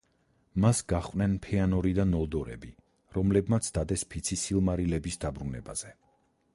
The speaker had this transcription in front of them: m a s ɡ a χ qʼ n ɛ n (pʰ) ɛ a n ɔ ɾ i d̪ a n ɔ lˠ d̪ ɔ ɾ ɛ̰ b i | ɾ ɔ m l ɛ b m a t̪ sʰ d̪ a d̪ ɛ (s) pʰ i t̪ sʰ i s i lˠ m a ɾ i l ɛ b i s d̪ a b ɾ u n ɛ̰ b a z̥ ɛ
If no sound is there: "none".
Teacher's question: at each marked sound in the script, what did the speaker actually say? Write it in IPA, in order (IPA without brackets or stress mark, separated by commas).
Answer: pʰ, s